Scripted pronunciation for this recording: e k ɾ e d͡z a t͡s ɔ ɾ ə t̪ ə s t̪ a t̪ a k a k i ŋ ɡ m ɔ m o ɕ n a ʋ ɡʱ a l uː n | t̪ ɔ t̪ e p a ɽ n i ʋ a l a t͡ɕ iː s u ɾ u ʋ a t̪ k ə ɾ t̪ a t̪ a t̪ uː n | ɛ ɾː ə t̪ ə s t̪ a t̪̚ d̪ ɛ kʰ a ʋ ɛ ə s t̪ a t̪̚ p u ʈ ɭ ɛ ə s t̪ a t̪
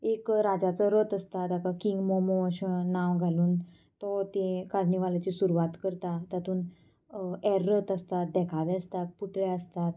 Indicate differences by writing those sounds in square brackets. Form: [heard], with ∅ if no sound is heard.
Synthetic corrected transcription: e k ɾ [a] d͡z a t͡s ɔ ɾ ə t̪ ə s t̪ a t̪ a k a k i ŋ ɡ m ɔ m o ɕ n a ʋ ɡʱ a l uː n | t̪ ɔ t̪ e [k] a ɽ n i ʋ a l a t͡ɕ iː s u ɾ u ʋ a t̪ k ə ɾ t̪ a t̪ a t̪ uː n | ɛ ɾː ə t̪ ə s t̪ a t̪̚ d̪ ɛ kʰ a ʋ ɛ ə s t̪ a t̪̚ p u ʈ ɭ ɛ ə s t̪ a t̪